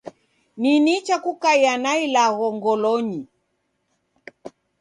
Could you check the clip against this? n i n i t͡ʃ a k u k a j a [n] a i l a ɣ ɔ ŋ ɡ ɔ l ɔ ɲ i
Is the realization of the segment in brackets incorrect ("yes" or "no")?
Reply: no